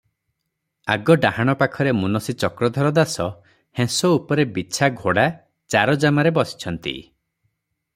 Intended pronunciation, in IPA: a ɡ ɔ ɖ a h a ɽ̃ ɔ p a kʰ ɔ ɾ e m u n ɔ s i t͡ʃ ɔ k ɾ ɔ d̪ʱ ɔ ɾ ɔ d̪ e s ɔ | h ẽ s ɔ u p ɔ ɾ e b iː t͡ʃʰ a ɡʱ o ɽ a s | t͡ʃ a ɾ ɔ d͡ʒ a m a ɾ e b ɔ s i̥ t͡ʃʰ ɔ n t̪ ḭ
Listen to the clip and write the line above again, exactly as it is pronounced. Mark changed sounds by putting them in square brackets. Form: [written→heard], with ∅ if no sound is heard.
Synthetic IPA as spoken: a ɡ ɔ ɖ a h a ɽ̃ ɔ p a kʰ ɔ ɾ e m u n ɔ s i t͡ʃ ɔ k ɾ ɔ d̪ʱ ɔ ɾ ɔ d̪ [e→a] s ɔ | h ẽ s ɔ u p ɔ ɾ e b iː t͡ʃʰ a ɡʱ o ɽ a [s→∅] | t͡ʃ a ɾ ɔ d͡ʒ a m a ɾ e b ɔ s i̥ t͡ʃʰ ɔ n t̪ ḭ